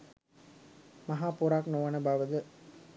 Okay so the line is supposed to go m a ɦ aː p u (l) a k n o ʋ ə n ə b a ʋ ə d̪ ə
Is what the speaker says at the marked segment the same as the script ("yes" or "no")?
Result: no